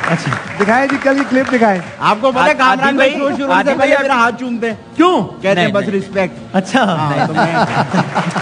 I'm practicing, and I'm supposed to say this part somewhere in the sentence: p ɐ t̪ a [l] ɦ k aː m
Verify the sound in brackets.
incorrect: none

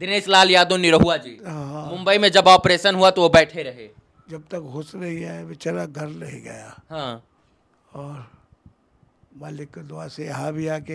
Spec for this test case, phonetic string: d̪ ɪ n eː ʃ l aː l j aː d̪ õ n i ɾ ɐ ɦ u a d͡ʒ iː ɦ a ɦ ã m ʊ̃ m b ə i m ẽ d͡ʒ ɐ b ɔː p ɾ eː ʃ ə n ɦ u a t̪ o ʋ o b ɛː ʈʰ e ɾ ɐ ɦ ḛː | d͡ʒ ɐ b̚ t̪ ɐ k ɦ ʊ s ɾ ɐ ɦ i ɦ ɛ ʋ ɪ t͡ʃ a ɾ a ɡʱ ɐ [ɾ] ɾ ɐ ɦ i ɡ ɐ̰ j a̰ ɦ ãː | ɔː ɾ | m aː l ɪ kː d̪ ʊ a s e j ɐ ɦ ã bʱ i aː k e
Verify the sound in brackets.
correct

